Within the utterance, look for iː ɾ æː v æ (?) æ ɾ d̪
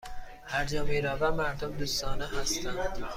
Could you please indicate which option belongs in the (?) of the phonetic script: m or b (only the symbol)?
m